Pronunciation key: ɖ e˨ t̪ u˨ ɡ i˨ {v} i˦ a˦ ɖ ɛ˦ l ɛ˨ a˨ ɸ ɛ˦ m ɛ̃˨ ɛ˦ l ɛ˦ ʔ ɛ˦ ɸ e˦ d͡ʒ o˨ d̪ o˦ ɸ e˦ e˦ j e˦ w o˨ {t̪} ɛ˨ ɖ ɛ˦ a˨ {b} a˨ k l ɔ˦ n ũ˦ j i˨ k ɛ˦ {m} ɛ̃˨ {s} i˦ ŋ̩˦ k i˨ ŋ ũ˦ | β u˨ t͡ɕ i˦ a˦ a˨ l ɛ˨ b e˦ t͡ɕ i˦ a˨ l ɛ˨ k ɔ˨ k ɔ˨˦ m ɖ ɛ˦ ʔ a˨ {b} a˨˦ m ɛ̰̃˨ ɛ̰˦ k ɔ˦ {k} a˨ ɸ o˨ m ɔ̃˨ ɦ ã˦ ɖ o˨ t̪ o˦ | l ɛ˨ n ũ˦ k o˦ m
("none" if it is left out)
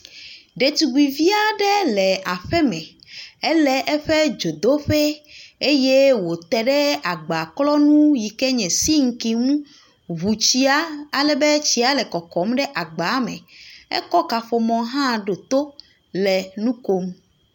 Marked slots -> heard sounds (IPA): v, t̪, ɡ͡b, ɲ, s, ɡ͡b, k

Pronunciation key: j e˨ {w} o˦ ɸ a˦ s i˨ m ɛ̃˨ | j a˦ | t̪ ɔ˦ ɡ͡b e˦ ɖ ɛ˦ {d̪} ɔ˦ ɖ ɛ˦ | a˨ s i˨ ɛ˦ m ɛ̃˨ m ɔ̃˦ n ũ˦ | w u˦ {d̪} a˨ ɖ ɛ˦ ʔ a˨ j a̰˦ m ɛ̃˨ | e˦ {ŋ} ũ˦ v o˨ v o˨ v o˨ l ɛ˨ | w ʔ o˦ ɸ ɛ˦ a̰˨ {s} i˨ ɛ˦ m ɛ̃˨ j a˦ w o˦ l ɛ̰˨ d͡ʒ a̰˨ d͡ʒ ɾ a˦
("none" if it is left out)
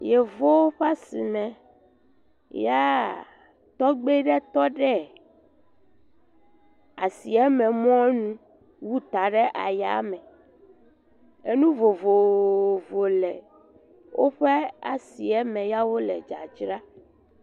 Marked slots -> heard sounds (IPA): v, t̪, t̪, n, s

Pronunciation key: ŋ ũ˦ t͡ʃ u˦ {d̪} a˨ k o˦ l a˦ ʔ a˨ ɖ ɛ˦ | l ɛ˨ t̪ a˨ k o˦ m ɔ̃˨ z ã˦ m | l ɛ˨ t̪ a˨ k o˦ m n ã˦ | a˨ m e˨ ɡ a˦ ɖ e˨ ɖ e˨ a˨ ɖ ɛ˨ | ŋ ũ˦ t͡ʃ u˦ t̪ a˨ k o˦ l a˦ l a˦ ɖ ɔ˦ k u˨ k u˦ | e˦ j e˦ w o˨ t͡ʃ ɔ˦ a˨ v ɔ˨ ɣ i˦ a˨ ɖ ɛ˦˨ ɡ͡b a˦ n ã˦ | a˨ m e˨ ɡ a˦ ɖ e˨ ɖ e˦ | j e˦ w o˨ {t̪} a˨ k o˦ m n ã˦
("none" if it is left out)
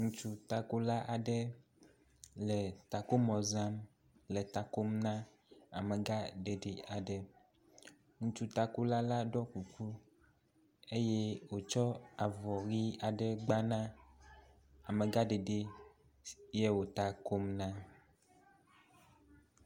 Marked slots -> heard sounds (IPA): t̪, t̪

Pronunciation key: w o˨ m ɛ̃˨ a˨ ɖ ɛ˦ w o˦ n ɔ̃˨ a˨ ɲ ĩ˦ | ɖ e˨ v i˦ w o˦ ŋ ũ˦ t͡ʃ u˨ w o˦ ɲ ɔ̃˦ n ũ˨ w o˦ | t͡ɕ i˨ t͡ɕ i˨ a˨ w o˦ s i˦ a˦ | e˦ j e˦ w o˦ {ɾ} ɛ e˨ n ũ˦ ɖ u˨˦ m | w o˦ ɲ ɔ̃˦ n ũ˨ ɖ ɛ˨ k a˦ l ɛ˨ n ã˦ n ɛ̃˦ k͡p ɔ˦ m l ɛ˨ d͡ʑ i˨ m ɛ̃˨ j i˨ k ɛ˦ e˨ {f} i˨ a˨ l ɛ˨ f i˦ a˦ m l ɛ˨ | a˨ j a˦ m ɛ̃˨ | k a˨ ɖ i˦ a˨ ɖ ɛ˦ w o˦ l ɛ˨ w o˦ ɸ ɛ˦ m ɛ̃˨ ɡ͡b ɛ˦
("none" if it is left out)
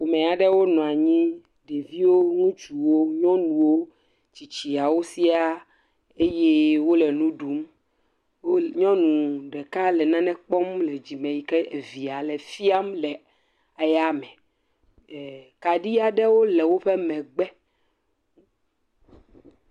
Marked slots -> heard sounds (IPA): l, v

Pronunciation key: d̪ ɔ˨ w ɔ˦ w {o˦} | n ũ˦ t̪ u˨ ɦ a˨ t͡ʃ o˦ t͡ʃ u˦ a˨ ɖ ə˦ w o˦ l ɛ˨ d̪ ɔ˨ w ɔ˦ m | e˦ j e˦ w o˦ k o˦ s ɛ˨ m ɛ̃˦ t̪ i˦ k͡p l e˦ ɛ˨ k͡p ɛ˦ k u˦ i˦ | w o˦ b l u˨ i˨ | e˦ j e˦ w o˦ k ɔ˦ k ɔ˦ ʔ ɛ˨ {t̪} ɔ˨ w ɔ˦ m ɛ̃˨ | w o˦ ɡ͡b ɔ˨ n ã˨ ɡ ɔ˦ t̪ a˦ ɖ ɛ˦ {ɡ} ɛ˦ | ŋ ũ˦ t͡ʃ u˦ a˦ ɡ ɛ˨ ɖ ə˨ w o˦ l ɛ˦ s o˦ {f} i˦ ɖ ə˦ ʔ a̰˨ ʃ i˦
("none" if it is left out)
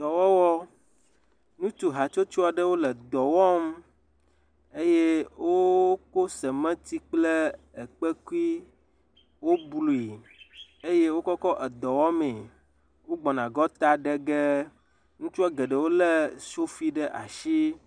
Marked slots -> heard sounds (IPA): ɔ˦, d̪, ɡ, f

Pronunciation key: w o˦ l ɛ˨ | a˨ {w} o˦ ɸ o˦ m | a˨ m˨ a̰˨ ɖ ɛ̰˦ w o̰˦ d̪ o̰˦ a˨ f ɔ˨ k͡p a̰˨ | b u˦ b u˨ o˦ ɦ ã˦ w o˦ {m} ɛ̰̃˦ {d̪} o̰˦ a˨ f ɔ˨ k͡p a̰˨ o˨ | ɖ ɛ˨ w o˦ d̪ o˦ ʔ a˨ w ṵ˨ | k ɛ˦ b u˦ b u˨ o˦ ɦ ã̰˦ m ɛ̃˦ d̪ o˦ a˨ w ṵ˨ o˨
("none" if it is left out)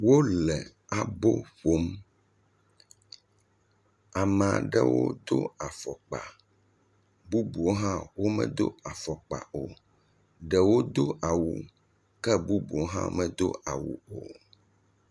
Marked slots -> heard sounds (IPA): b, m, d̪

